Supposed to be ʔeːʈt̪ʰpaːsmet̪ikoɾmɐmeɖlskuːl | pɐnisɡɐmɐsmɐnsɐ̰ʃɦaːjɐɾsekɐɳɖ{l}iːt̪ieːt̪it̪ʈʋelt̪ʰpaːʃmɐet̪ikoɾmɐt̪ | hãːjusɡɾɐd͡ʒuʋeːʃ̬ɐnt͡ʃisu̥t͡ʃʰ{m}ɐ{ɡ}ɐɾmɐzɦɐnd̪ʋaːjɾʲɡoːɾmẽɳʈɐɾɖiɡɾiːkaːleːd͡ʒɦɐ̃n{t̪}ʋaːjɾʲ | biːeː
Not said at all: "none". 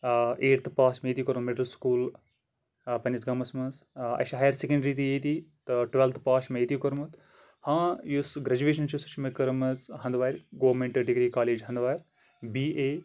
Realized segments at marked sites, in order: ɾ, m, k, d̪

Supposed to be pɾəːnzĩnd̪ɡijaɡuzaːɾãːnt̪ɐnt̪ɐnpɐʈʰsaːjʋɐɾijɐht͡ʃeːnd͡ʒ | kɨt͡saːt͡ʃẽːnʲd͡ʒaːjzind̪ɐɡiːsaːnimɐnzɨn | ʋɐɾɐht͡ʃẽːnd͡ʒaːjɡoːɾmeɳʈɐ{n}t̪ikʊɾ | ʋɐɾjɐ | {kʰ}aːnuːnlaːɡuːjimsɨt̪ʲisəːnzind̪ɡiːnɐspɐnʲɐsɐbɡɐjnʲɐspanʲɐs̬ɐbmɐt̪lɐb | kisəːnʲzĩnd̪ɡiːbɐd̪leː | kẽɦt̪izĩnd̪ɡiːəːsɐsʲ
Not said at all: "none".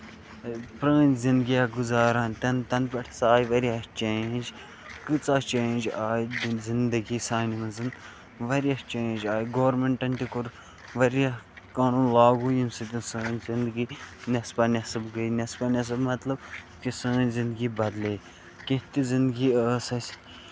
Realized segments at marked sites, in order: n, k

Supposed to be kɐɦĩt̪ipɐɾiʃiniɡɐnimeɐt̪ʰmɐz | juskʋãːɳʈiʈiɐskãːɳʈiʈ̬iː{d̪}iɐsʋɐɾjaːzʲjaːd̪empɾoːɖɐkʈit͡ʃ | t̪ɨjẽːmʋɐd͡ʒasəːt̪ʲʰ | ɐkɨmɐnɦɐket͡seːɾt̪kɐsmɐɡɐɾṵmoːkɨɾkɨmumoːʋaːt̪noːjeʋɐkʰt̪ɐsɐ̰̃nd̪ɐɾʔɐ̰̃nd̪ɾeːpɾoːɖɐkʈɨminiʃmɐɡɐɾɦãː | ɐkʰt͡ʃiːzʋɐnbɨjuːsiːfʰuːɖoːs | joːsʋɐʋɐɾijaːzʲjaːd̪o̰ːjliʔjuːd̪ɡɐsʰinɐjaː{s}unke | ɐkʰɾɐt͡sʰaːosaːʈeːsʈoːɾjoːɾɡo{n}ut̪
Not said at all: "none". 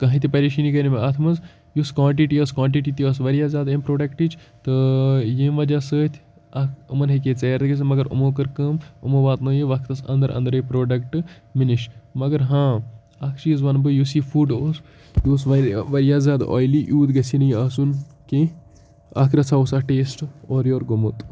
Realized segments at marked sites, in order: t̪, s, m

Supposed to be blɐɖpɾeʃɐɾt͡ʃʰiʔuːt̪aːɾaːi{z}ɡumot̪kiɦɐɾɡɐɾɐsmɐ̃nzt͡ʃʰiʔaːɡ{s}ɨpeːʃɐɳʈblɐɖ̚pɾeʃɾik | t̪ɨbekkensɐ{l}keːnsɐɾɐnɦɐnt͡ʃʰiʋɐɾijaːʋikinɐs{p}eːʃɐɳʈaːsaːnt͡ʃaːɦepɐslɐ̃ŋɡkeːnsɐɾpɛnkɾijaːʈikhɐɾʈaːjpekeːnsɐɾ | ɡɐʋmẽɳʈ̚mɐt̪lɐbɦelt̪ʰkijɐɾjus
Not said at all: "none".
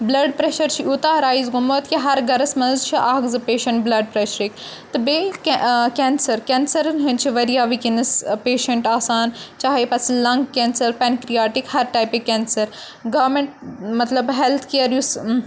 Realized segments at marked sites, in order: z, z, ɾ, p

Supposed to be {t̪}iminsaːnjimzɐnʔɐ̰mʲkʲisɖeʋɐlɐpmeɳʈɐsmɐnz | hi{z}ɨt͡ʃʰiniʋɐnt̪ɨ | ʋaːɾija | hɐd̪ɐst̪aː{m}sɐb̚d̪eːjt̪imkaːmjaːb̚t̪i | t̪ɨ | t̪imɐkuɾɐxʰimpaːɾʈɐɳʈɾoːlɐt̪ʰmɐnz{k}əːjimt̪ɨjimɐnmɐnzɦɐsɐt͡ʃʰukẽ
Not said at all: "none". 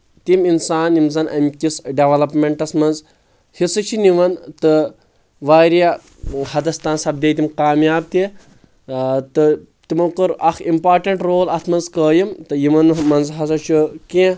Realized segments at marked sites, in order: t̪, s, n, k

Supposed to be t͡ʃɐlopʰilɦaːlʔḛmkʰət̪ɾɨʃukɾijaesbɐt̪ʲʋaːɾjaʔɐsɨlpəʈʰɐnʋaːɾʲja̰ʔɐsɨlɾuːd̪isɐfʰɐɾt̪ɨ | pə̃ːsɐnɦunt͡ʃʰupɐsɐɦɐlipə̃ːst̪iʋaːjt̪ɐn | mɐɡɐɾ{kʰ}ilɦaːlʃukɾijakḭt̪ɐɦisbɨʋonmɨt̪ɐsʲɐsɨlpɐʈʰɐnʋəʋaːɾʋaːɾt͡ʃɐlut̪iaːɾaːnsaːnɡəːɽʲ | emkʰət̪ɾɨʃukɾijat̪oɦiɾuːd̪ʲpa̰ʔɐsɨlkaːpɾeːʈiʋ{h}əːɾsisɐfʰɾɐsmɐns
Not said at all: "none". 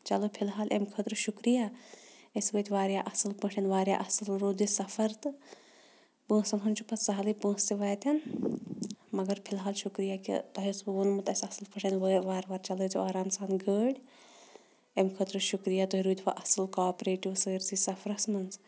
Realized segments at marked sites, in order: pʰ, s

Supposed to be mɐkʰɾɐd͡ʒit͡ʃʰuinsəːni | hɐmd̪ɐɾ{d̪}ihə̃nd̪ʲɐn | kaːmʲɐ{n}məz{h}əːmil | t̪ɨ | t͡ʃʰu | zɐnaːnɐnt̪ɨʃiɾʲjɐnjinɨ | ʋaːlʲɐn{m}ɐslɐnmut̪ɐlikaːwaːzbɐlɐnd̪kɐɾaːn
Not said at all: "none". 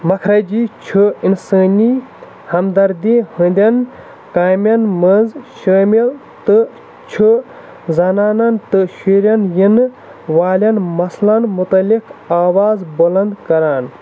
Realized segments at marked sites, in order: d̪, n, ʃ, m

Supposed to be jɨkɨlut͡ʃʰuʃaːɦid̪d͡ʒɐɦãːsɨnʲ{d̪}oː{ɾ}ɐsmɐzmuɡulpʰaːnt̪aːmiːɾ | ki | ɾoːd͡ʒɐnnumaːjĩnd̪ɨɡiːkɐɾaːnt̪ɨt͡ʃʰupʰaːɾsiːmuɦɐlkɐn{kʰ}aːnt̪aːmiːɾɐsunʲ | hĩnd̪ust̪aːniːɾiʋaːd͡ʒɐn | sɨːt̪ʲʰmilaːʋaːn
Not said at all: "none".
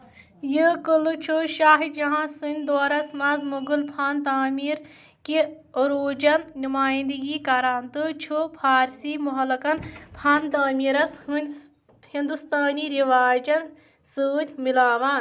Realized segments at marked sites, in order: d̪, ɾ, pʰ

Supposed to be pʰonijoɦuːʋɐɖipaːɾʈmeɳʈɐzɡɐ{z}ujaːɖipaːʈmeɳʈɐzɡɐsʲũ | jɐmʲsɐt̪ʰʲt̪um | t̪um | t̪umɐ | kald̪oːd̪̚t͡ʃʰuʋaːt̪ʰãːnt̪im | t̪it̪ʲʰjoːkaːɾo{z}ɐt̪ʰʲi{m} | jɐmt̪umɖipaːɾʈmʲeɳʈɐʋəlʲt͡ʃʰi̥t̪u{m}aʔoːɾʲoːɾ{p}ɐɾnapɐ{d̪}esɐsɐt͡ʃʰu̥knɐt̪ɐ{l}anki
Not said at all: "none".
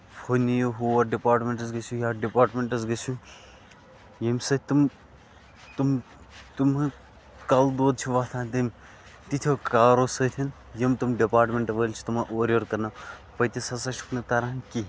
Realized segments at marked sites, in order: s, s, n, m, k, t̪, ɾ

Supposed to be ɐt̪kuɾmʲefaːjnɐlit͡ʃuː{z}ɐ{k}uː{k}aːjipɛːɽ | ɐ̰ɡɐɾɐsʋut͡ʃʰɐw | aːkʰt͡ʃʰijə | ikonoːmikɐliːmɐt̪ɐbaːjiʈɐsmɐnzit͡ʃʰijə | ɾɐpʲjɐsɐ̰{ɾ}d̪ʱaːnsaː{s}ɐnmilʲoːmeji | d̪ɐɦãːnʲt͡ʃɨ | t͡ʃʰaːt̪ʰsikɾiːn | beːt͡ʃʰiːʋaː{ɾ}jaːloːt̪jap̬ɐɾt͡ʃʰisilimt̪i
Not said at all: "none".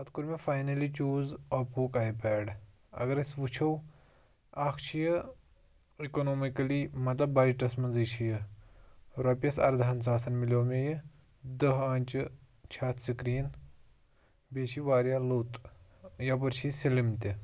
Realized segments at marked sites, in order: z, p, k, ɾ, s, ɾ

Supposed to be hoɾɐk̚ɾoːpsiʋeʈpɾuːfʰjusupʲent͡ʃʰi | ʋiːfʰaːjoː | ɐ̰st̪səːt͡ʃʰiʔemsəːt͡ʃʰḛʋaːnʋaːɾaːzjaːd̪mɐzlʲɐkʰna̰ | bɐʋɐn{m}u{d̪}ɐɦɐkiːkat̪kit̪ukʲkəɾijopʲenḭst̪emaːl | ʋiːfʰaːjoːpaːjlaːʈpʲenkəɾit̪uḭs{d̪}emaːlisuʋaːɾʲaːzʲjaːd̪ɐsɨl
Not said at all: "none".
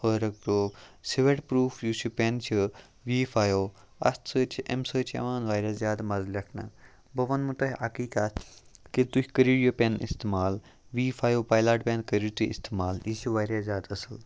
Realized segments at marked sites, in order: m, t̪, t̪

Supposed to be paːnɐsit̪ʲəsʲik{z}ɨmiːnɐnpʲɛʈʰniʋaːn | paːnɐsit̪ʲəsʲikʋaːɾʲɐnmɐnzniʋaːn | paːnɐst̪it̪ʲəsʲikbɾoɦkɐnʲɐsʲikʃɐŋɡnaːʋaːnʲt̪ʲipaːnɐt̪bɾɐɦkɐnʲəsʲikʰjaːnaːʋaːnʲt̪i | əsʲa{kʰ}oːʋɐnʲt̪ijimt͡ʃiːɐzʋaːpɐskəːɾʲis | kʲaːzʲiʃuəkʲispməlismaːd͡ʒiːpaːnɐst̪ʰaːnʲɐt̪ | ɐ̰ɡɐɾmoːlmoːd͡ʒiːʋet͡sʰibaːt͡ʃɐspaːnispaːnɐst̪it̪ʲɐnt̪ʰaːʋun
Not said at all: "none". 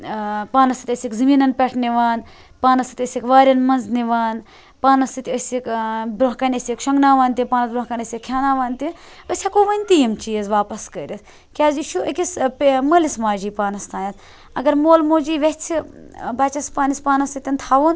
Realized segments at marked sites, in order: z, k

